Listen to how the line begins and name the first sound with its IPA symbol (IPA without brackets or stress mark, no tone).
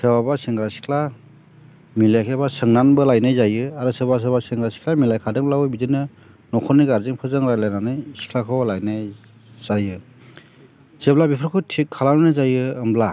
s